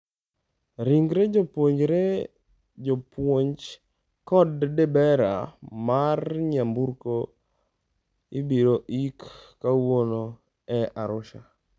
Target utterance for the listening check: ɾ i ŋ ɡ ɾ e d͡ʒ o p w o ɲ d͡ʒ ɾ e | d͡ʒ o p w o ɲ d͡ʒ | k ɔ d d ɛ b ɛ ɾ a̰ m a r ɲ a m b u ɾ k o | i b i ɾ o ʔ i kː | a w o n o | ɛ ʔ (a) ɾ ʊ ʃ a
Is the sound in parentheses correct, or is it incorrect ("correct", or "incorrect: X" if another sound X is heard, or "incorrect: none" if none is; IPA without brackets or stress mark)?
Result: correct